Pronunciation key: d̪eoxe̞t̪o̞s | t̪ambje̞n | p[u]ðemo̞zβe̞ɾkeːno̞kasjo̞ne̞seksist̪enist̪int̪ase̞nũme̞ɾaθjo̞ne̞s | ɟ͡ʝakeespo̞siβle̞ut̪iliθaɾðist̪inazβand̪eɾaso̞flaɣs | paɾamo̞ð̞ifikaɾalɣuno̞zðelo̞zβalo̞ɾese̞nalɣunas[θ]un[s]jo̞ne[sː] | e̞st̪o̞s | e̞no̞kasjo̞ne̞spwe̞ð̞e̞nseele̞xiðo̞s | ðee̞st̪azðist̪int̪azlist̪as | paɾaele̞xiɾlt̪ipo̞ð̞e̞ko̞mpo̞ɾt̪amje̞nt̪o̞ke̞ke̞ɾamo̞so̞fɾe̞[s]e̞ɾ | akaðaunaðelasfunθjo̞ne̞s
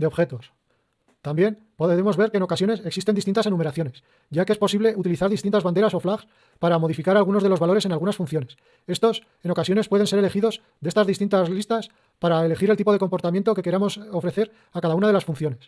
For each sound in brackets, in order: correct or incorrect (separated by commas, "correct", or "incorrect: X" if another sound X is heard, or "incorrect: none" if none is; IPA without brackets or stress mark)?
incorrect: o, incorrect: f, incorrect: θ, incorrect: s, incorrect: θ